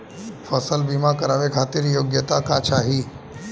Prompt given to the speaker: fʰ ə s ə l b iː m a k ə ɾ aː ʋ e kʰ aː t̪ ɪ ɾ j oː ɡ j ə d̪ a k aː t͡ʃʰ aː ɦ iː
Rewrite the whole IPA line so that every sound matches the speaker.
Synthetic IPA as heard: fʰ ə s ə l b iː m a k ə ɾ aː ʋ e kʰ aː t̪ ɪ ɾ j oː ɡ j ə t̪ a k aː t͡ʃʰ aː ɦ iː